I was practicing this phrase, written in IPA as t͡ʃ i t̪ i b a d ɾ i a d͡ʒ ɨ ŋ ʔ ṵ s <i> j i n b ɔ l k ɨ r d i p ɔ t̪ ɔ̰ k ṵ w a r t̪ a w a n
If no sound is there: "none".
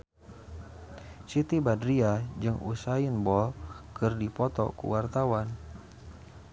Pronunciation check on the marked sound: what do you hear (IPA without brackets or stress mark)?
a